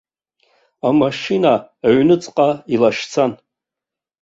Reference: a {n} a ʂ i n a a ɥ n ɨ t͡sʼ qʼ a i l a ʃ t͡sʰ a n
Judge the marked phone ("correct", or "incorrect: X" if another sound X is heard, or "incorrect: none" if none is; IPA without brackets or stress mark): incorrect: m